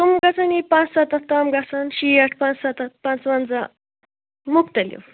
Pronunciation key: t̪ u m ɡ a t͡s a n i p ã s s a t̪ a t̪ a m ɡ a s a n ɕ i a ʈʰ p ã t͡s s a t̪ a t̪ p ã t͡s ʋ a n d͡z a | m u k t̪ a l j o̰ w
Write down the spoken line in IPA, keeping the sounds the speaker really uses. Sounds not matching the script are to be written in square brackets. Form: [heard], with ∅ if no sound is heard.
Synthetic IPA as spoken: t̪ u m ɡ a t͡s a n i p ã [t͡s] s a t̪ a t̪ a m ɡ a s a n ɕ i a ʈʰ p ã t͡s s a t̪ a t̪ p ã t͡s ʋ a n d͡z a | m u k t̪ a l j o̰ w

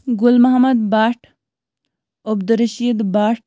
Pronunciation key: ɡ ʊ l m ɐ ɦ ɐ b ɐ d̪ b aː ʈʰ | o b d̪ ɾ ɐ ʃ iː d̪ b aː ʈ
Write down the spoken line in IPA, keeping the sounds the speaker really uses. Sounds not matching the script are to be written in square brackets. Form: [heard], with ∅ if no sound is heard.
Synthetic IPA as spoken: ɡ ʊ l m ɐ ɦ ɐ [m] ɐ d̪ b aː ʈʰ | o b d̪ ɾ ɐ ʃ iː d̪ b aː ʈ

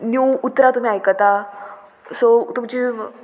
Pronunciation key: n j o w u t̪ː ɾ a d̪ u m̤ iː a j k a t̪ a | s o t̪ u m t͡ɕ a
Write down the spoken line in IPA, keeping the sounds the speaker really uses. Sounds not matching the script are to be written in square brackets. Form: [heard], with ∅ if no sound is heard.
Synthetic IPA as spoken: n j [u] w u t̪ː ɾ a [t̪] u m̤ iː a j k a t̪ a | s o t̪ u m t͡ɕ [i]

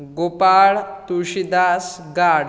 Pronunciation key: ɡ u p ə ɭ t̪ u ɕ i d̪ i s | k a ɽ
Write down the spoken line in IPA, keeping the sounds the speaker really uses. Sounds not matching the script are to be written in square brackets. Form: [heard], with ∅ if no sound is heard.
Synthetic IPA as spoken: ɡ [o] p [a] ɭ t̪ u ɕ i d̪ [a] s | [ɡ] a ɽ

